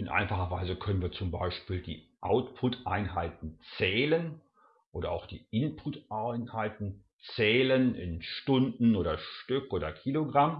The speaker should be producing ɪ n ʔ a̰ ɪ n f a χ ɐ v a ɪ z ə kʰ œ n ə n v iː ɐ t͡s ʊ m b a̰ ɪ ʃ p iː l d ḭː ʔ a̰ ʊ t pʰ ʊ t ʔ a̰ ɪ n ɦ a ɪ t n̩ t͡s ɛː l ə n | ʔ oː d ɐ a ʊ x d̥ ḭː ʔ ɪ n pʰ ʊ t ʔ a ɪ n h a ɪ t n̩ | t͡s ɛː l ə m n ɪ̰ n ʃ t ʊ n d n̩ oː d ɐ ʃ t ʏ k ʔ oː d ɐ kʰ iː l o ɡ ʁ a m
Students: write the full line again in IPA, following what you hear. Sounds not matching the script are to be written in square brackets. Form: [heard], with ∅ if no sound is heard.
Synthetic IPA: ɪ n ʔ a̰ ɪ n f a χ ɐ v a ɪ z ə kʰ œ n ə n v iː ɐ t͡s ʊ m b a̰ ɪ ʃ p iː l d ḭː ʔ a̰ ʊ t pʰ ʊ t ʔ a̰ ɪ n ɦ a ɪ t n̩ t͡s ɛː l ə n | ʔ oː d ɐ a ʊ x d̥ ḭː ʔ ɪ n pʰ ʊ t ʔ a ɪ n h a ɪ t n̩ | t͡s ɛː l ə [∅] n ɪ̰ n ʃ t ʊ n d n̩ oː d ɐ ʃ t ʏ k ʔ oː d ɐ kʰ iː l o ɡ ʁ a m